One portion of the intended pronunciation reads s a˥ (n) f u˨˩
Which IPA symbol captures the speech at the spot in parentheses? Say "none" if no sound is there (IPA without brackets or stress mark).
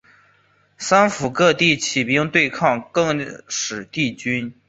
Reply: n